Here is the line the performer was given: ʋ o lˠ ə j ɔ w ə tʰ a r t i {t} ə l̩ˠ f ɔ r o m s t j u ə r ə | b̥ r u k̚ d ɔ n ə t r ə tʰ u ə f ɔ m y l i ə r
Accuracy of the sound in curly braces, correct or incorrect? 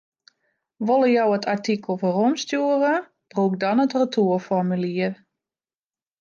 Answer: incorrect